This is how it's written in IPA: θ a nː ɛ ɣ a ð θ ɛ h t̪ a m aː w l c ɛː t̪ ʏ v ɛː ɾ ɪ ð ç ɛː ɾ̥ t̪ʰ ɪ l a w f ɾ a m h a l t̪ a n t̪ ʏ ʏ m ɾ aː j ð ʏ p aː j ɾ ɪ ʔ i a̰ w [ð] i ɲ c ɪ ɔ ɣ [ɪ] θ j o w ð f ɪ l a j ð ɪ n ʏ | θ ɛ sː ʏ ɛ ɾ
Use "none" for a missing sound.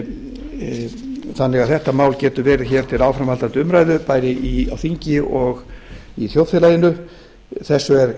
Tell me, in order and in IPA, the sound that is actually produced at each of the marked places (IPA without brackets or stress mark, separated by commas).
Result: θ, i